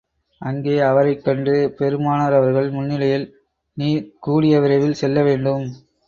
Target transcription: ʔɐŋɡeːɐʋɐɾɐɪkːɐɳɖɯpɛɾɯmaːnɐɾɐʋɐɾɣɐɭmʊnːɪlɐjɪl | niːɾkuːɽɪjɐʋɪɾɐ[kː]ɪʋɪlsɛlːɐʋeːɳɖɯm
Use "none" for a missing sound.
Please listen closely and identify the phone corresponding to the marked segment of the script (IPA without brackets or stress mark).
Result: none